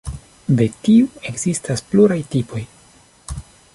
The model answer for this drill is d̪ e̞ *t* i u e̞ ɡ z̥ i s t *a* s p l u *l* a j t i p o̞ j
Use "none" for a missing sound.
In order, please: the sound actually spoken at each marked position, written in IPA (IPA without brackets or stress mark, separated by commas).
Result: t, a, ɾ